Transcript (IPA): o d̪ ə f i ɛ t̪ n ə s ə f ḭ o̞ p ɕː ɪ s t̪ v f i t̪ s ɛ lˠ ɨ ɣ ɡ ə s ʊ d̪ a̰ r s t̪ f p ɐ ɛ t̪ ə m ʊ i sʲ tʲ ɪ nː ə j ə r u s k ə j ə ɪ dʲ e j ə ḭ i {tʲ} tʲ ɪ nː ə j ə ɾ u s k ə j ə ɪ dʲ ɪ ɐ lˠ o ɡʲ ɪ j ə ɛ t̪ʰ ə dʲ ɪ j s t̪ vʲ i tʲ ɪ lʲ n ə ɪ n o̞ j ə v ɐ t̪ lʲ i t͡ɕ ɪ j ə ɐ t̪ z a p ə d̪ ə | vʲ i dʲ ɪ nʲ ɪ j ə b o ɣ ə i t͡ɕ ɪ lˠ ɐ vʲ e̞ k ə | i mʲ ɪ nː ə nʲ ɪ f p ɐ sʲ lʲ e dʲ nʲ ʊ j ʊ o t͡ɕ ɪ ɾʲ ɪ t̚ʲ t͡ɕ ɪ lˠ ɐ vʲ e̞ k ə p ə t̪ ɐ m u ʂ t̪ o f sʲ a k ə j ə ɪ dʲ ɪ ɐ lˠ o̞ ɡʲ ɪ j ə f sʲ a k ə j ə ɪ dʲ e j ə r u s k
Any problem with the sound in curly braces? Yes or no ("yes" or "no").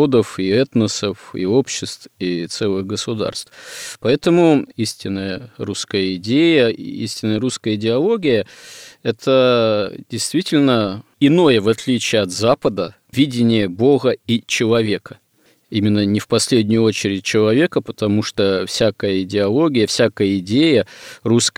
yes